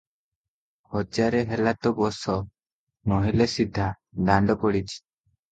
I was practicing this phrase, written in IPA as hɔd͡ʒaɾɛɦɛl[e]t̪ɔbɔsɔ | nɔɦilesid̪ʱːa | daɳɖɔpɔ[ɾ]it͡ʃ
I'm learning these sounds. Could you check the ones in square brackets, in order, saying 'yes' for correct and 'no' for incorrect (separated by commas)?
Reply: no, no